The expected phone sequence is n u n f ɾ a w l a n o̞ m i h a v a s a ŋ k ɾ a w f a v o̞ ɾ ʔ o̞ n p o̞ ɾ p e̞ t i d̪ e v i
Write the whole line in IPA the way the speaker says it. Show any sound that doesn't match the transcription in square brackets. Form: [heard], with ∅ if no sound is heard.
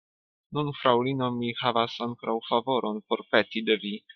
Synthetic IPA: n u n f ɾ a w l [i] n o̞ m i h a v a s a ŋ k ɾ a w f a v o̞ ɾ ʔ o̞ n p o̞ ɾ p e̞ t i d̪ e v i